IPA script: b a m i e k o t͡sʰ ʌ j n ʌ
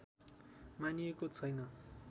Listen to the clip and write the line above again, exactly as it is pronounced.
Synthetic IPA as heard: m a n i e k o t͡sʰ ʌ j n ʌ